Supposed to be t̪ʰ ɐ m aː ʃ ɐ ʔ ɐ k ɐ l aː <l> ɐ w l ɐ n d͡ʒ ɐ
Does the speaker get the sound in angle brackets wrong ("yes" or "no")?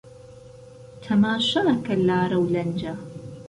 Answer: yes